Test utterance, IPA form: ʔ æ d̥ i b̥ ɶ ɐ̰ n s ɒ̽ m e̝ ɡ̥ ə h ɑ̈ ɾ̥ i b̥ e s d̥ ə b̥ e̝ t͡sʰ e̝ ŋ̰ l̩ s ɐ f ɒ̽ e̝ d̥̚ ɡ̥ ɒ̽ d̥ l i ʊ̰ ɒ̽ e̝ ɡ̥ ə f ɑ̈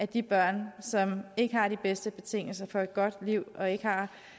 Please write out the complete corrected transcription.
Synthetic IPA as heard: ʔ æ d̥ i b̥ ɶ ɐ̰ n s ɒ̽ m e̝ ɡ̥ ə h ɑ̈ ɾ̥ i b̥ e s d̥ ə b̥ e̝ t͡sʰ e̝ ŋ̰ l̩ s ɐ f ɒ̽ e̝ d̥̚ ɡ̥ ɒ̽ d̥ l i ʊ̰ ɒ̽ e̝ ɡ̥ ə h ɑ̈